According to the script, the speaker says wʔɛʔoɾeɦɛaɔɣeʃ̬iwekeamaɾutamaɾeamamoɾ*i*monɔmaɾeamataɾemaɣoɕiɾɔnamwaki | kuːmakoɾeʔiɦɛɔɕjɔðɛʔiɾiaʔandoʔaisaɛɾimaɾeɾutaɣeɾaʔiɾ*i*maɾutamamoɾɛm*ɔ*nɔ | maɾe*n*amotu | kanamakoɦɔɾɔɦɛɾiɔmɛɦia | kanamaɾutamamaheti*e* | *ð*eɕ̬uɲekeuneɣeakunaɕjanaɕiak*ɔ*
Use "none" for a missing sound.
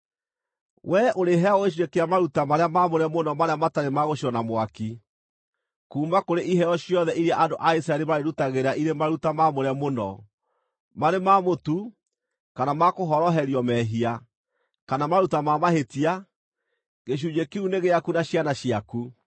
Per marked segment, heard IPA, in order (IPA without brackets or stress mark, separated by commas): ɛ, e, o, m, a, ɣ, u